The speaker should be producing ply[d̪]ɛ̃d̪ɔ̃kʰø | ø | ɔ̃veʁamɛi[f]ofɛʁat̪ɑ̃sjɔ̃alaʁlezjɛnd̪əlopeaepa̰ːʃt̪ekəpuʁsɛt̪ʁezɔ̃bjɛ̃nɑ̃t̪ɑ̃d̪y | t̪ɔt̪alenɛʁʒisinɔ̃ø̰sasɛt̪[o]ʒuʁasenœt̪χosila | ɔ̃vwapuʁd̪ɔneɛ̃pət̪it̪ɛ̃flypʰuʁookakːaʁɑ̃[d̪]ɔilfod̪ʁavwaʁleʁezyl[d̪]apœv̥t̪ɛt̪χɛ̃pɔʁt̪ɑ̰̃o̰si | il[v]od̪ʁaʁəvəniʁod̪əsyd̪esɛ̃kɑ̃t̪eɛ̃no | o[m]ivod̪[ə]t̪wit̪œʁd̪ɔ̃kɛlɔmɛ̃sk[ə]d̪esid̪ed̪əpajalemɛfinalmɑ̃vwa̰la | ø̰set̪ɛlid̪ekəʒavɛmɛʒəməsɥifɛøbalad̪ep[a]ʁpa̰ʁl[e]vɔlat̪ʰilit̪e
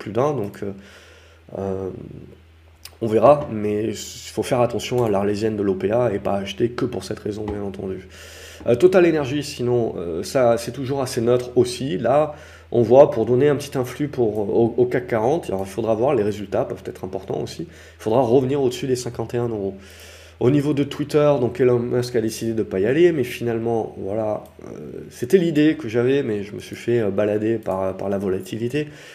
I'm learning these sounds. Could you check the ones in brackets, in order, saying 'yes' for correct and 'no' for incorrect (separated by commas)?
yes, yes, no, no, no, no, no, yes, no, yes, no